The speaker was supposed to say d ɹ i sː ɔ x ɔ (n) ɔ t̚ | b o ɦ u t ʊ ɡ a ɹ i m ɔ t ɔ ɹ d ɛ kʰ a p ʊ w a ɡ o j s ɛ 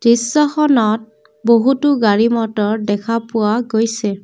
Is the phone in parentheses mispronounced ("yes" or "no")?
no